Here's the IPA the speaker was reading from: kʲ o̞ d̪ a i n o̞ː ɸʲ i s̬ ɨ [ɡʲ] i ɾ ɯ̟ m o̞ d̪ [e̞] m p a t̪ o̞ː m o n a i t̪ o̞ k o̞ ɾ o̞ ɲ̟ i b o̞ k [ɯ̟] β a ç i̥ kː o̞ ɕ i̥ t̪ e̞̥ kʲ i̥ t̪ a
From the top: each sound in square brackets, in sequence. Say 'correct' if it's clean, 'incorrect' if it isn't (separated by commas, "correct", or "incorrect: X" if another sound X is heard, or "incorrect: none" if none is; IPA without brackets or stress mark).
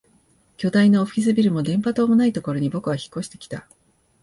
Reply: incorrect: bʲ, incorrect: ẽ̞, correct